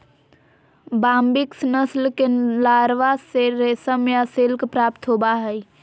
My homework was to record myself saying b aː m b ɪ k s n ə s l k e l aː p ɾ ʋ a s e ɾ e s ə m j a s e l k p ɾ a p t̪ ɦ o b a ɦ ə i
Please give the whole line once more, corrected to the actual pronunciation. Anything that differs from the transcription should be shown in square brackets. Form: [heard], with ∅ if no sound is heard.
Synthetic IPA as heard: b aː m b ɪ k s n ə s l k e l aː [∅] ɾ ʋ a s e ɾ e s ə m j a s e l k p ɾ a p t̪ ɦ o b a ɦ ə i